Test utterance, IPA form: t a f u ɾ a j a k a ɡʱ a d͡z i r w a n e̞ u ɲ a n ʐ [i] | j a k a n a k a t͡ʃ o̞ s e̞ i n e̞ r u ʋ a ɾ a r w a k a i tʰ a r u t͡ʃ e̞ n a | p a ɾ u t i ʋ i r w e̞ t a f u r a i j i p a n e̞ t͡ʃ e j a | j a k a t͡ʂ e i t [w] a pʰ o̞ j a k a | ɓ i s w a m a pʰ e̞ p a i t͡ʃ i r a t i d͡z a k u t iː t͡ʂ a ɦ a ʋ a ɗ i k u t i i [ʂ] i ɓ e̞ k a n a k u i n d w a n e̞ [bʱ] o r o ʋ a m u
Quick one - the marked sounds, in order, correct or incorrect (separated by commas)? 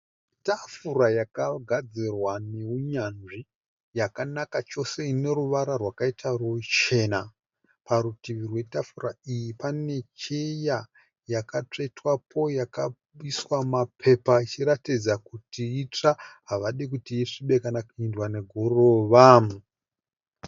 correct, correct, correct, incorrect